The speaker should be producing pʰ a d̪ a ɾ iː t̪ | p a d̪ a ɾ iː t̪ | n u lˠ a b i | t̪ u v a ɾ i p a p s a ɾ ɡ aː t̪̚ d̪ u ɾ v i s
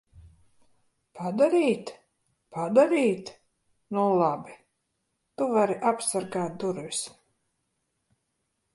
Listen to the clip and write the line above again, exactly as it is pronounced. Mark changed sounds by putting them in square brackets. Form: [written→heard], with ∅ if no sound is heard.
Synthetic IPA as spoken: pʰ a d̪ a ɾ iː t̪ | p a d̪ a ɾ iː t̪ | n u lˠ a b i | t̪ u v a ɾ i [p→ʔ] a p s a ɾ ɡ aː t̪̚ d̪ u ɾ v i s